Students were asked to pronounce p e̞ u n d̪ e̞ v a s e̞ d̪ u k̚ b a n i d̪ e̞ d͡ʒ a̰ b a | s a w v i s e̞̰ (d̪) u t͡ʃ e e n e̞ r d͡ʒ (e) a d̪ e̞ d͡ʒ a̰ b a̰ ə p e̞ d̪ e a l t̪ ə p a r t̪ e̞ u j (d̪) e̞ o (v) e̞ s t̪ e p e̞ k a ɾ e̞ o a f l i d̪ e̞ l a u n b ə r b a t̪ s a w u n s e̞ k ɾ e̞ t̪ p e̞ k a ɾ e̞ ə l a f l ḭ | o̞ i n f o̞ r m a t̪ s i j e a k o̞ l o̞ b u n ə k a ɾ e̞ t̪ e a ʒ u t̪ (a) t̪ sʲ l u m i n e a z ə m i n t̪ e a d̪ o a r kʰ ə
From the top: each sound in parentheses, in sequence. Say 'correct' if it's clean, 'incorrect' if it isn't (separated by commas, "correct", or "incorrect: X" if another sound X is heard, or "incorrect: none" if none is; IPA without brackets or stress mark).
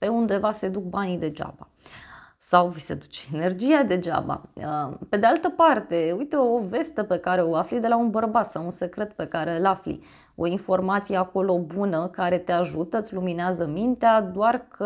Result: correct, incorrect: i, incorrect: t̪, correct, incorrect: ə